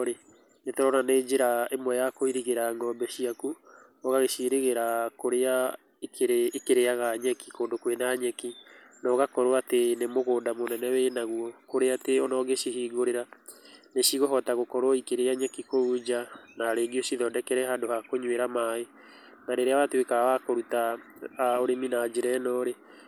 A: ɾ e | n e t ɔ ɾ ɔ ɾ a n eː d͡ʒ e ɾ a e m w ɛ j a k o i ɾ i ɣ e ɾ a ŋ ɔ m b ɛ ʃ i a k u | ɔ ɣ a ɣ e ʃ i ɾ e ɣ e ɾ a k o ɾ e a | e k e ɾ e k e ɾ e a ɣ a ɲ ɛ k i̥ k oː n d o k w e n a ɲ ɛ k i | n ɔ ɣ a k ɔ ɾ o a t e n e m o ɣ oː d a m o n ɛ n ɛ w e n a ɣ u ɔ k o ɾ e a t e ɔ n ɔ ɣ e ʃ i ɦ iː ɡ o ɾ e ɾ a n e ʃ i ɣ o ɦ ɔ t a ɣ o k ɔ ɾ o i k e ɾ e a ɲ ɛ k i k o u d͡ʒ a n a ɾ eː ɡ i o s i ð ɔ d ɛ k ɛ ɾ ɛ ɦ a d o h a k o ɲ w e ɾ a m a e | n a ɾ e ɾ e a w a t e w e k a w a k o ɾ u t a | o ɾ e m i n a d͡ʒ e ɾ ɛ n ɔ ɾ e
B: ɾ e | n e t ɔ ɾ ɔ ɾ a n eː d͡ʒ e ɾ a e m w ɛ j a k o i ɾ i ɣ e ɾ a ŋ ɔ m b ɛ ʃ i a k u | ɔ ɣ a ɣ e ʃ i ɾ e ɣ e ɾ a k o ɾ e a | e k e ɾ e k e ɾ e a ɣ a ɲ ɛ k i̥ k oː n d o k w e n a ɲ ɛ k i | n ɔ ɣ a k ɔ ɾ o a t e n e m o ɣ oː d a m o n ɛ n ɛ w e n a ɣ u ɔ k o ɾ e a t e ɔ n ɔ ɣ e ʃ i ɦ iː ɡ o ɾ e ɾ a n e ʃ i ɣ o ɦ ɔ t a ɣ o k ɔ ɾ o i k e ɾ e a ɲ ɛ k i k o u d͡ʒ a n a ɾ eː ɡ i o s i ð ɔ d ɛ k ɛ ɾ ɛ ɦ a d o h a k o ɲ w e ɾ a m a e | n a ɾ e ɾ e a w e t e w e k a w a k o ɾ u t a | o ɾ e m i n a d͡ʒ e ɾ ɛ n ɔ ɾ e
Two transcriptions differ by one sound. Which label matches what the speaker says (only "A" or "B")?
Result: A